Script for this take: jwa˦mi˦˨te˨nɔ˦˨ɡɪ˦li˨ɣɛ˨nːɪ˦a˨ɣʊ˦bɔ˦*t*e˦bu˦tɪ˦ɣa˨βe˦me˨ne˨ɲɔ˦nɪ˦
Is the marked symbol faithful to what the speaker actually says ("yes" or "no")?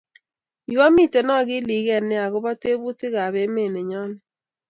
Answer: yes